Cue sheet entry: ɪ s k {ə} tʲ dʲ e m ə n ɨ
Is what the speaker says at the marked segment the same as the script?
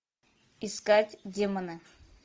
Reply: no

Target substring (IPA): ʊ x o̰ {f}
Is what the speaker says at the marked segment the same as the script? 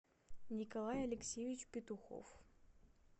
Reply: yes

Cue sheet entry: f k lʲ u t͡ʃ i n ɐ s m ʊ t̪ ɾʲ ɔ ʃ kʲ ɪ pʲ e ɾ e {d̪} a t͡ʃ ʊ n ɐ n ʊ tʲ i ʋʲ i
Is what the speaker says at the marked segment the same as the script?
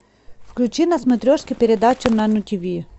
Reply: yes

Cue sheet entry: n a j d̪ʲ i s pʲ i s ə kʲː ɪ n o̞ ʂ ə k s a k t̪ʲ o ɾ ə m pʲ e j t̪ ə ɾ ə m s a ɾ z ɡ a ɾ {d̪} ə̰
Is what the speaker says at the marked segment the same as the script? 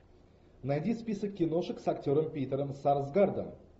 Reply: yes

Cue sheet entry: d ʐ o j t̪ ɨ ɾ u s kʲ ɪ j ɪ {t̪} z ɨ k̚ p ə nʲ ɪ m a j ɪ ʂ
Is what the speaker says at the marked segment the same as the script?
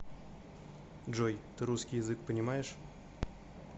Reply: no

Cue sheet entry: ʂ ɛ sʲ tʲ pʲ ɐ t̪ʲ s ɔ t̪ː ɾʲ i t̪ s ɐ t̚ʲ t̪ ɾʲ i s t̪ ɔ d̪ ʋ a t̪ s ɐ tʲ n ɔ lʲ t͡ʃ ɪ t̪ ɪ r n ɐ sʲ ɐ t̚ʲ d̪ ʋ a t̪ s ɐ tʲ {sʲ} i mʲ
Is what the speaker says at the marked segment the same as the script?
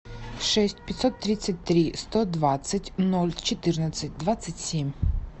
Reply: yes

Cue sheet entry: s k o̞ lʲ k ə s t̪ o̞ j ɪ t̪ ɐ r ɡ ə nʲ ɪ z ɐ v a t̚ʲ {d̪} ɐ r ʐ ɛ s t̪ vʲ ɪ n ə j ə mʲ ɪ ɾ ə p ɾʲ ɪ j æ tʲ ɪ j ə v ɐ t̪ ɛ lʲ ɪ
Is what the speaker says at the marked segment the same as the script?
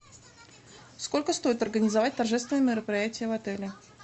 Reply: no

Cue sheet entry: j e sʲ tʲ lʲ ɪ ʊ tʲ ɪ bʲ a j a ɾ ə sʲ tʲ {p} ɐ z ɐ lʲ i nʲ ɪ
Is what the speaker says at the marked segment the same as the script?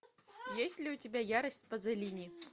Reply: yes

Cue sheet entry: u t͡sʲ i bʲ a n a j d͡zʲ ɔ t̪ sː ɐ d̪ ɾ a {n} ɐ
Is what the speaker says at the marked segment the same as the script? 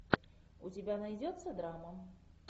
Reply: no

